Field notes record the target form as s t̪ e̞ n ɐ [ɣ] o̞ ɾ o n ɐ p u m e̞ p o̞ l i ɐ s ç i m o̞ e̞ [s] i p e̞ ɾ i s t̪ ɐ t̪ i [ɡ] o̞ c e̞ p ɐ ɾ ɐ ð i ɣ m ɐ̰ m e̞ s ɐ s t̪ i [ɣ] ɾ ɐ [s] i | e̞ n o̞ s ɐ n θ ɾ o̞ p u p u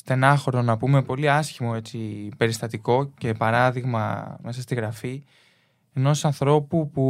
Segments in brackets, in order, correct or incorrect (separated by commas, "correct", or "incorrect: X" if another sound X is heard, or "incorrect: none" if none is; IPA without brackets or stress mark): incorrect: x, incorrect: t͡s, incorrect: k, correct, incorrect: f